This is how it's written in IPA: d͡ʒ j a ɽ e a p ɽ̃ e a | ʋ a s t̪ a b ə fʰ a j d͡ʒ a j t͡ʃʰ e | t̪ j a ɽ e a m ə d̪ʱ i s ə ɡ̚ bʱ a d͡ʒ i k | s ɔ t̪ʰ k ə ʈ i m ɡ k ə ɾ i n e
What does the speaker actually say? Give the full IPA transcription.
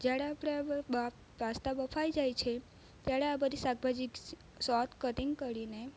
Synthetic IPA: d͡ʒ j a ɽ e a p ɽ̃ e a | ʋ a s t̪ a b ə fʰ a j d͡ʒ a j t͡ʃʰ e | t̪ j a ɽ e a b ə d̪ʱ i s a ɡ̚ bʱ a d͡ʒ i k | s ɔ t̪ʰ k ə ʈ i ŋ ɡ k ə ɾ i n e